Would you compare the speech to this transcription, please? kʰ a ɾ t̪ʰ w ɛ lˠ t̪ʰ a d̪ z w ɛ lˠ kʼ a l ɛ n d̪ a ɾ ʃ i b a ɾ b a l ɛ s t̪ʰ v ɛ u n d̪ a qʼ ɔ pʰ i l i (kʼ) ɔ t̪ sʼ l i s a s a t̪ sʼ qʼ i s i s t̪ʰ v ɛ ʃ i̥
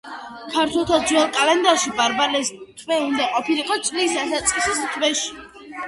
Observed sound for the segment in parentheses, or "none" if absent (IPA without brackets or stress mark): qʼ